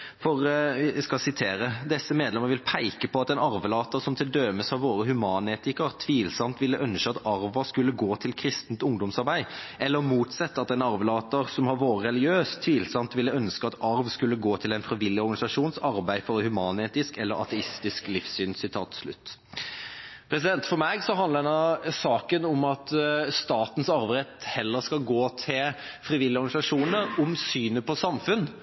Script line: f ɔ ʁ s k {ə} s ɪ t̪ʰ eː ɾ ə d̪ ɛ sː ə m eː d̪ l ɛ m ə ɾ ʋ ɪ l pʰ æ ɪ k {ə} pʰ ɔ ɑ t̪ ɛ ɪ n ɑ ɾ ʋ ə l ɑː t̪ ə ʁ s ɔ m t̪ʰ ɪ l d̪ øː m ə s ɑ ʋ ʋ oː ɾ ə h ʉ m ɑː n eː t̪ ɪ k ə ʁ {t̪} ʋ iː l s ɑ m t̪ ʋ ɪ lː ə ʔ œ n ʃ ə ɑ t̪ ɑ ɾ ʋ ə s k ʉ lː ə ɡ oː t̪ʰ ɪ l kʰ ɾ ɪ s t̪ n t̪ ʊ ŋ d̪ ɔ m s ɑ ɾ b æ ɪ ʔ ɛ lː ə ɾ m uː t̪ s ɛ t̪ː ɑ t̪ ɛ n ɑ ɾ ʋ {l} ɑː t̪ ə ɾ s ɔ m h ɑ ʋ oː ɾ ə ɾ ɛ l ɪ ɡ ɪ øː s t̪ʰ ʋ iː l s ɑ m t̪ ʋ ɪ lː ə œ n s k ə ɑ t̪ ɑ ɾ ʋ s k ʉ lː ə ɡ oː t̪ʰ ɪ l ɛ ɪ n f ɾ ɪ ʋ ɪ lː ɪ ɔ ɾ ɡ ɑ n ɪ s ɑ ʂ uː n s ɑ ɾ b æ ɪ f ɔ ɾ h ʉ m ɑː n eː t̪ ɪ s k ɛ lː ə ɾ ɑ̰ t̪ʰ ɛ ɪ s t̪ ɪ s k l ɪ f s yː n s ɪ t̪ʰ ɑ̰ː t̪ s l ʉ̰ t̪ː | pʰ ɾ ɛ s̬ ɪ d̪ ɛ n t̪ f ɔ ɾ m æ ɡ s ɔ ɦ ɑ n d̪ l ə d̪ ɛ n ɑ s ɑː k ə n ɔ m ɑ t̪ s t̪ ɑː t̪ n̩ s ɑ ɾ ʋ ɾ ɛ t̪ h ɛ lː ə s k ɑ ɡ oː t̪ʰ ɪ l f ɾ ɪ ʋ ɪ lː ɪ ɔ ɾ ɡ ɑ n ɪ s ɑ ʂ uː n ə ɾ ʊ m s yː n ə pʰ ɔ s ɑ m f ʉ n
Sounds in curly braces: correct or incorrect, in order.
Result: incorrect, correct, incorrect, correct

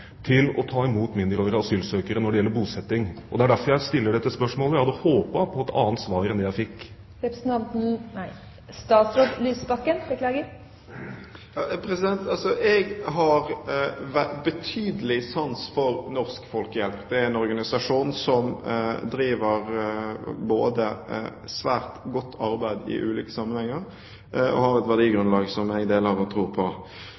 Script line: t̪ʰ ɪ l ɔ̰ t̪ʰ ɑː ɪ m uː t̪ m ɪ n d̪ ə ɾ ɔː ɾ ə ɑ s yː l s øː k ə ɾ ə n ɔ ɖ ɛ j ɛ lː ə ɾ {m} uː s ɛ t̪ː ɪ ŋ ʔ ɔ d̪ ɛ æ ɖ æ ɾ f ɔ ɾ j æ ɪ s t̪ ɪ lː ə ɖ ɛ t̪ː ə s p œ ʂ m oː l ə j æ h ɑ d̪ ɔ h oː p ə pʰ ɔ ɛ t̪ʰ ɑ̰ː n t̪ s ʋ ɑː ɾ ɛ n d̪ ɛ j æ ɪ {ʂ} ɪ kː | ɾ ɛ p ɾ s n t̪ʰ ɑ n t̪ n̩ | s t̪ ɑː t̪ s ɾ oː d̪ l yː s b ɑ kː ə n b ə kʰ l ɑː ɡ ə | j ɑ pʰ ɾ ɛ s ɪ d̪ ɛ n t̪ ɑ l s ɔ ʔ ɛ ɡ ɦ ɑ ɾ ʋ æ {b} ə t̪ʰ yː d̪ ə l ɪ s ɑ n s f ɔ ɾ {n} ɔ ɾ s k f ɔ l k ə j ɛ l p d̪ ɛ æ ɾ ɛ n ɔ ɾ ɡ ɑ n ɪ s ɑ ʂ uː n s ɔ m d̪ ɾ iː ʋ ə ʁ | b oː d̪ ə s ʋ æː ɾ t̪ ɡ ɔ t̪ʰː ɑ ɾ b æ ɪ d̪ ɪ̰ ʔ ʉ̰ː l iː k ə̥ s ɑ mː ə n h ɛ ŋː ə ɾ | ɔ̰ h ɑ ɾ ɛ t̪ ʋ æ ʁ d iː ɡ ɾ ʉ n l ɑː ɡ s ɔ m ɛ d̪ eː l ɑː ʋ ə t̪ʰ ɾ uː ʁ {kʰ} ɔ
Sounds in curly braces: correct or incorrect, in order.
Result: incorrect, incorrect, correct, correct, incorrect

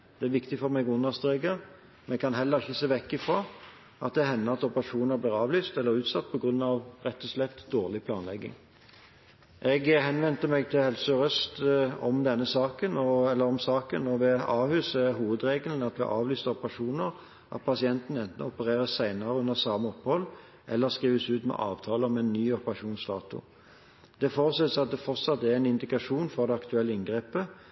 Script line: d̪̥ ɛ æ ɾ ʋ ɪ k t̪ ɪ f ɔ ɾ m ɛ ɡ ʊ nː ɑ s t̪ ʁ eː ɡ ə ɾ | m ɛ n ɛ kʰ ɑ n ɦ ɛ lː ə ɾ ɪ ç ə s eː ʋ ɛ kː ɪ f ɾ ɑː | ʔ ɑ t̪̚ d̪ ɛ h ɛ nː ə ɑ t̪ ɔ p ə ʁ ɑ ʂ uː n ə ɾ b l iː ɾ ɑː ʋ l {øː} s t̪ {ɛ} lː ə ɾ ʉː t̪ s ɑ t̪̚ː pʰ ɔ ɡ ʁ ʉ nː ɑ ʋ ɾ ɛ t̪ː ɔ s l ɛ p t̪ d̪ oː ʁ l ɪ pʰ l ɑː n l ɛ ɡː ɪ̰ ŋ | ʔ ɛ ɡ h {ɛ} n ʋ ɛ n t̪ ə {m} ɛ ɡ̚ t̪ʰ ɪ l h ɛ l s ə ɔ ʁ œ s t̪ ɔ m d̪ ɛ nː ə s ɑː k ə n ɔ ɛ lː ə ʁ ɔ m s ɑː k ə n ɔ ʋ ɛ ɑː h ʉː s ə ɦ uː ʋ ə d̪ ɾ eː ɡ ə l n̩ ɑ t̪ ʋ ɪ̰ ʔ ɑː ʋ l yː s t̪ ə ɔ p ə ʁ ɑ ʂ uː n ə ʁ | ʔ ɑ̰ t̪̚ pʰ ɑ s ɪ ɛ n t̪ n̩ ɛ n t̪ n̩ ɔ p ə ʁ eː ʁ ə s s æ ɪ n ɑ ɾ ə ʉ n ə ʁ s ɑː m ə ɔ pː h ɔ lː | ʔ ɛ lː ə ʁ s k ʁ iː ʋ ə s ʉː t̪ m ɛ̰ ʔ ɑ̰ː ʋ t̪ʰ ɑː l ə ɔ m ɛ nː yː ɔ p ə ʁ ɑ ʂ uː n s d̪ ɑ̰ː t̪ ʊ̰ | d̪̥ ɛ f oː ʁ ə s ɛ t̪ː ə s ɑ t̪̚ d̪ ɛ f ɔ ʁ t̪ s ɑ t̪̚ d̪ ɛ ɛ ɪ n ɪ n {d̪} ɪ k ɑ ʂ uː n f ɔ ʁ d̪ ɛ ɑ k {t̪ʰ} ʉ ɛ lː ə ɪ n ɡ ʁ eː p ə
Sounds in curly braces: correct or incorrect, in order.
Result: incorrect, correct, correct, correct, correct, incorrect

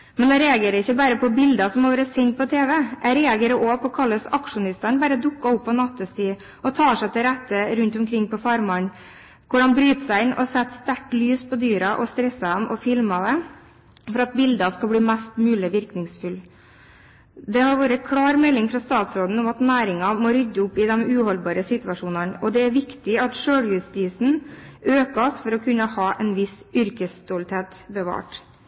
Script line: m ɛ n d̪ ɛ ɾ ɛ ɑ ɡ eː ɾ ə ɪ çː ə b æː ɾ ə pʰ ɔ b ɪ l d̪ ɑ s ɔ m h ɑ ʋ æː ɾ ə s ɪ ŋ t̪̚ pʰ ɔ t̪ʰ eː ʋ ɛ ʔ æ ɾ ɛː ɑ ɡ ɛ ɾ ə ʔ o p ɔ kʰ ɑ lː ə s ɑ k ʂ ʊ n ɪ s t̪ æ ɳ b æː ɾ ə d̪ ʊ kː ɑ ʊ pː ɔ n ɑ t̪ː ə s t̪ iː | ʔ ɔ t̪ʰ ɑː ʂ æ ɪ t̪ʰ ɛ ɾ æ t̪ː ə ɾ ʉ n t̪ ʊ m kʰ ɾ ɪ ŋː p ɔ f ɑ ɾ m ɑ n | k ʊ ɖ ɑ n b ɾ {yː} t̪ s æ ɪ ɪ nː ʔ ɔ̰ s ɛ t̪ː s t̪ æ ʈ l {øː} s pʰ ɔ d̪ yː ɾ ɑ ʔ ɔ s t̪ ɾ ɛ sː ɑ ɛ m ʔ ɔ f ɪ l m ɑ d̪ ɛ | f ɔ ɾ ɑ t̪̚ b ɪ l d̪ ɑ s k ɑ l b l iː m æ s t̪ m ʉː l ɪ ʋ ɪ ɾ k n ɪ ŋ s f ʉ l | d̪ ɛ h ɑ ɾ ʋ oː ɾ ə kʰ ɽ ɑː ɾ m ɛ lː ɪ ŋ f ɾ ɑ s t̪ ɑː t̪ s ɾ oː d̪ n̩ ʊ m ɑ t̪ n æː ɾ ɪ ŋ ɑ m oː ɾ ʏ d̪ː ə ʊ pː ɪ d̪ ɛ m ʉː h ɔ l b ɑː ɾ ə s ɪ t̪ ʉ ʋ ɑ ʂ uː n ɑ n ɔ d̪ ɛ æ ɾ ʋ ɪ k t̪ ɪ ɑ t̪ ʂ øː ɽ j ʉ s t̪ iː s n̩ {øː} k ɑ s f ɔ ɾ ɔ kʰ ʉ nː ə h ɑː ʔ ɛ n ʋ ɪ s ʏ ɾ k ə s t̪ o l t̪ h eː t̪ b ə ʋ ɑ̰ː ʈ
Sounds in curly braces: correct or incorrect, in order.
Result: correct, incorrect, correct

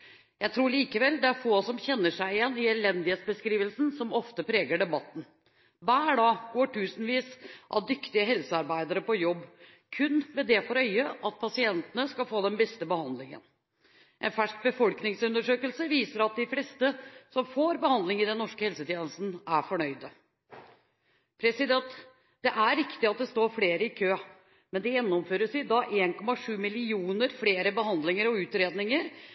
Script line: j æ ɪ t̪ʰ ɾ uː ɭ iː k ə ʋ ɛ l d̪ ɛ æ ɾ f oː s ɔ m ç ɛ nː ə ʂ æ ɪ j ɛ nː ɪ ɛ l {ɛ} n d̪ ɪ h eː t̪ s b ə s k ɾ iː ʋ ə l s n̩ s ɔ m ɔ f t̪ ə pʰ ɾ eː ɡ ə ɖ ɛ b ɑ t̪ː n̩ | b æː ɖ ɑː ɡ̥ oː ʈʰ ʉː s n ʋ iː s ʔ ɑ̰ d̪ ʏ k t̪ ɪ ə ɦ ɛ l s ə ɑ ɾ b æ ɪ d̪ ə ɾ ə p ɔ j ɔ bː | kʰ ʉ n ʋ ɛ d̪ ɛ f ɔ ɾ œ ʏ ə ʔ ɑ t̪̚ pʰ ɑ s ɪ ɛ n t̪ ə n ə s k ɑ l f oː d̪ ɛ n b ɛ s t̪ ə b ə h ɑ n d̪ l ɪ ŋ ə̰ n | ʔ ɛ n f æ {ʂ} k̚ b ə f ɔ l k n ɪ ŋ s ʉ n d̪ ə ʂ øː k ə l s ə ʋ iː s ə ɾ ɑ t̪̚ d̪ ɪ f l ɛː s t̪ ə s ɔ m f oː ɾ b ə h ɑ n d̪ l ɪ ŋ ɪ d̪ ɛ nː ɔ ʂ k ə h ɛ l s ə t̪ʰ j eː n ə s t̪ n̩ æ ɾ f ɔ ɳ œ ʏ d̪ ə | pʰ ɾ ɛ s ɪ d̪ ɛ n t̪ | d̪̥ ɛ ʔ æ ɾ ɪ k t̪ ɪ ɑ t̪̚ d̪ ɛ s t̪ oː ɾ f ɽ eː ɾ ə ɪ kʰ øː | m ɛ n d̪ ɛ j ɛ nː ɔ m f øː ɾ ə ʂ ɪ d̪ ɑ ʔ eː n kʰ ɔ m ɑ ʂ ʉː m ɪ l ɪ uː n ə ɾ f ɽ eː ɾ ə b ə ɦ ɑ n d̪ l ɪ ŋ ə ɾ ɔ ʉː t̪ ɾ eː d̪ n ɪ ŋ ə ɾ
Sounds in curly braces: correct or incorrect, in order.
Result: correct, correct

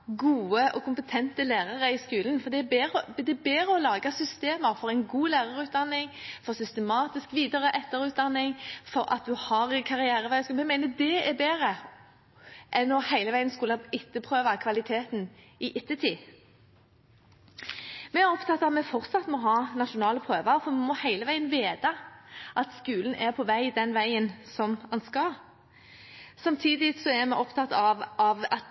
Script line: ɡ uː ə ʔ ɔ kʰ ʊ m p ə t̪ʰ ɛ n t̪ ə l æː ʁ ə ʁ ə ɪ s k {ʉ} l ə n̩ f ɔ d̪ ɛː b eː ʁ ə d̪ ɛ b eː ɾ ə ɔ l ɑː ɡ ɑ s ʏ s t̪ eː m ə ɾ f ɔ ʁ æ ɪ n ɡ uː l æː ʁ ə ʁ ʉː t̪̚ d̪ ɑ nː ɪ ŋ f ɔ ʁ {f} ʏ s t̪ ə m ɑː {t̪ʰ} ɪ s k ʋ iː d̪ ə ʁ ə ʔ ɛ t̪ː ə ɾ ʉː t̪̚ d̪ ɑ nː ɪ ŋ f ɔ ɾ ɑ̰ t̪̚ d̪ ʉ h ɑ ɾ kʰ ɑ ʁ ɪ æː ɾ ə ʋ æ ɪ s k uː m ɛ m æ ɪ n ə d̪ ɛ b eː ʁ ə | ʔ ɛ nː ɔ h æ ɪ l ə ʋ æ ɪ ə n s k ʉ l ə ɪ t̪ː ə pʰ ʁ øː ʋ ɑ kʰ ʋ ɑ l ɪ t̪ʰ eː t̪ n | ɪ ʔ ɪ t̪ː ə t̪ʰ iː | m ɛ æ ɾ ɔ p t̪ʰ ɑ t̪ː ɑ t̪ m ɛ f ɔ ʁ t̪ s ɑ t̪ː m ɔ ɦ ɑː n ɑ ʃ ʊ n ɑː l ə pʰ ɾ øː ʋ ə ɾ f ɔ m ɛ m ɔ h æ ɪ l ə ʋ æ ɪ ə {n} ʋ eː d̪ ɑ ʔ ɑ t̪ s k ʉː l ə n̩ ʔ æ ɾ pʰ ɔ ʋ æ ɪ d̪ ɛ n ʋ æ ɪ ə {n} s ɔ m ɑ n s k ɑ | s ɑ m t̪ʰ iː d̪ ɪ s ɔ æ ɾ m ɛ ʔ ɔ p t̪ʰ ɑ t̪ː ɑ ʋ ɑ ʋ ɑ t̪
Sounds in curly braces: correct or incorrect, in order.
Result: incorrect, incorrect, incorrect, correct, correct

